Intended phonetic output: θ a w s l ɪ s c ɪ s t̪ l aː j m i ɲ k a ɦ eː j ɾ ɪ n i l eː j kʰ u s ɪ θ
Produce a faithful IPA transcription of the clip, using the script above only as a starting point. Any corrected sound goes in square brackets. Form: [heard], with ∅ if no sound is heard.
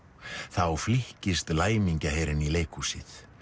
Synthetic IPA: θ a w [f] l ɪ [h] c ɪ s t̪ l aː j m i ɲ [c] a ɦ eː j ɾ ɪ n i l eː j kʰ u s ɪ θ